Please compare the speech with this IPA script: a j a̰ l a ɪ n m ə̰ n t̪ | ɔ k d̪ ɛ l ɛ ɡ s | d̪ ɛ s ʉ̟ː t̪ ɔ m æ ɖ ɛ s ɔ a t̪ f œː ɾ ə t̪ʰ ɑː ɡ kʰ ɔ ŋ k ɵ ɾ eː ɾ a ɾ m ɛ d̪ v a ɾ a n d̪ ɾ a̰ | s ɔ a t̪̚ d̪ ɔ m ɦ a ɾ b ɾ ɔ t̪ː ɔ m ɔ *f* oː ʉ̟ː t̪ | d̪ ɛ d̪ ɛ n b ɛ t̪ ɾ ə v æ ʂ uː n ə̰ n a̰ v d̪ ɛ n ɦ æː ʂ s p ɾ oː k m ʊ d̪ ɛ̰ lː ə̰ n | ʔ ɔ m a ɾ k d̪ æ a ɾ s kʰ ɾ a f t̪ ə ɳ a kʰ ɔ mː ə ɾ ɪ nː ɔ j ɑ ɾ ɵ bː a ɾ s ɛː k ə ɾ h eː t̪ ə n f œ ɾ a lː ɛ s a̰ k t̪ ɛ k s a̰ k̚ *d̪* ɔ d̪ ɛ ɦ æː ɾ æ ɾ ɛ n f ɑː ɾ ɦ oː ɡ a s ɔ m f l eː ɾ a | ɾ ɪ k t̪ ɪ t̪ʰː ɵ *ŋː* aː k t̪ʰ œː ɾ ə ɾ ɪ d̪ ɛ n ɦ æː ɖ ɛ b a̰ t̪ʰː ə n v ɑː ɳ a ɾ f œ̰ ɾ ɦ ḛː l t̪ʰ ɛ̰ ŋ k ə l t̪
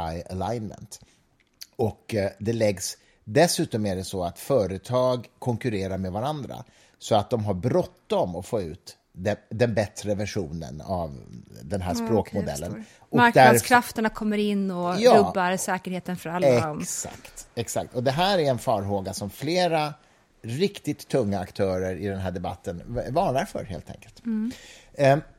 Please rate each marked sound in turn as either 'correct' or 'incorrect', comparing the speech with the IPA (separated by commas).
correct, incorrect, correct